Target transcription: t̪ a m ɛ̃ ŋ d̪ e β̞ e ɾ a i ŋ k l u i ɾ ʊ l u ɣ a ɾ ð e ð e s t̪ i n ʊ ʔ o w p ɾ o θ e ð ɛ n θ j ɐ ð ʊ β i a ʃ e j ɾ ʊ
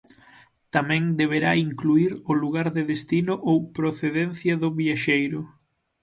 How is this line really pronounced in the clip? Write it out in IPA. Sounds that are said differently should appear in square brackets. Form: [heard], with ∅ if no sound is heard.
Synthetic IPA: t̪ a m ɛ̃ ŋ d̪ e β̞ e ɾ a i ŋ k l u i ɾ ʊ l u ɣ a ɾ ð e ð e s t̪ i n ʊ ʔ o w p ɾ o θ e ð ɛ n θ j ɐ ð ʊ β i a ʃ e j ɾ ʊ